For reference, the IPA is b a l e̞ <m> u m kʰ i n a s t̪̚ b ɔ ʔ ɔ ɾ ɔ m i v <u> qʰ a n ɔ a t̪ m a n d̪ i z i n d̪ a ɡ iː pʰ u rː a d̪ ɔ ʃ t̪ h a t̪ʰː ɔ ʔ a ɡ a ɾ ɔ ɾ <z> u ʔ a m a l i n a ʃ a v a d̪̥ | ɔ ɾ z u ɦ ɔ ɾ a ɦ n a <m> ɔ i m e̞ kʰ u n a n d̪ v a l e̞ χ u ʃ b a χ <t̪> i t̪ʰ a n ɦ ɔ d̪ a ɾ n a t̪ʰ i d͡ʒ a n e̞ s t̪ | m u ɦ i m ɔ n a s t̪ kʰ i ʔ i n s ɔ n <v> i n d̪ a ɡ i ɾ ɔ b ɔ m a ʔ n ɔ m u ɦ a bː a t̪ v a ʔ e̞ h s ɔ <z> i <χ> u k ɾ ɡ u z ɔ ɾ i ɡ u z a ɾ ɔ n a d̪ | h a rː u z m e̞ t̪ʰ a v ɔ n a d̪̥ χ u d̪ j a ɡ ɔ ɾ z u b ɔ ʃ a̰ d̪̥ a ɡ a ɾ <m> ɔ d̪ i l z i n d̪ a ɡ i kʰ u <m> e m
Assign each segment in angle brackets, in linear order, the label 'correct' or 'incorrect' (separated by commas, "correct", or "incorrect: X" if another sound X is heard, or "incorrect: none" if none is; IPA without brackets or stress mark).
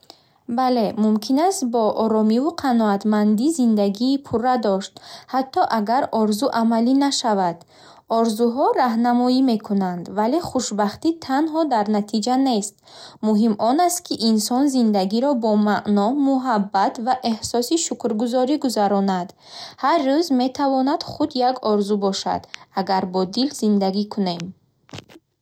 correct, correct, correct, correct, correct, incorrect: z, incorrect: s, incorrect: ʃ, incorrect: b, incorrect: n